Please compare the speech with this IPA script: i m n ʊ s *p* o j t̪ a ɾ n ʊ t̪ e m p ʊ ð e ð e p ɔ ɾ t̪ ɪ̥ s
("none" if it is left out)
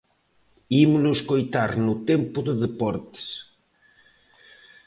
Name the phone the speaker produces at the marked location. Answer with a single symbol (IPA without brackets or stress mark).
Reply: k